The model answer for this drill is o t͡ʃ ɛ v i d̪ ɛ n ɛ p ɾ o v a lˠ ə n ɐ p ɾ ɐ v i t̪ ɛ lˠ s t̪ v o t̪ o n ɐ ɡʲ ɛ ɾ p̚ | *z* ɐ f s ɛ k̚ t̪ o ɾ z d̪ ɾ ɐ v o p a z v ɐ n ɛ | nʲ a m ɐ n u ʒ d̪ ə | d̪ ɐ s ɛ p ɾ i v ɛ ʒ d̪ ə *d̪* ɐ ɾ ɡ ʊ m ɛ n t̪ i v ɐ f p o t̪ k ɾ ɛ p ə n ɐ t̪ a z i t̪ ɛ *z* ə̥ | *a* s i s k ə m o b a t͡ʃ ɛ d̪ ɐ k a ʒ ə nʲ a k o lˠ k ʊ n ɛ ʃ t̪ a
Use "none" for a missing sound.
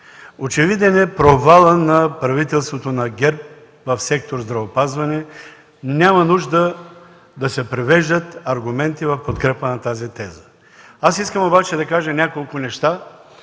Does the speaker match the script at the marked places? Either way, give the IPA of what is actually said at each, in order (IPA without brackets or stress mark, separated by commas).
v, t̪, z, a